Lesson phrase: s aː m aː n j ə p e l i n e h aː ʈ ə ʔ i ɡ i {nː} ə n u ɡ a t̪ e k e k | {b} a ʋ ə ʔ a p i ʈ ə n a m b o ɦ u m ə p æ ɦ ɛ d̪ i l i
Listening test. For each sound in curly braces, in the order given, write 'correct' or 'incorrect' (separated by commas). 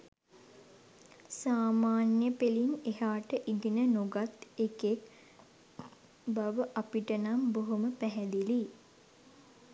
incorrect, correct